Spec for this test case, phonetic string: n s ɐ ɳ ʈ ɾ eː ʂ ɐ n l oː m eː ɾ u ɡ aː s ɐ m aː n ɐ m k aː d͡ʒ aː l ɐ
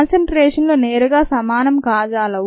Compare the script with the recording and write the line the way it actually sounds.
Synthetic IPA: n s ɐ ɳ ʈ ɾ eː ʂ ɐ n l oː n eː ɾ u ɡ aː s ɐ m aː n ɐ m k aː d͡ʒ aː l ɐ